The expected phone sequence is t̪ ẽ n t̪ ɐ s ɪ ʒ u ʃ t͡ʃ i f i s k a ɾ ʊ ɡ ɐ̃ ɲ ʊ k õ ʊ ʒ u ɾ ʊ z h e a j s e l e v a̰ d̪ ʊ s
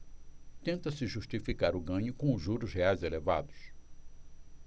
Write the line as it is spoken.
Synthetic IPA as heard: t̪ ẽ n t̪ ɐ s ɪ ʒ u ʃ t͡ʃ i f i k a ɾ ʊ ɡ ɐ̃ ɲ ʊ k õ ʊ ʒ u ɾ ʊ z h e a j z e l e v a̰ d̪ ʊ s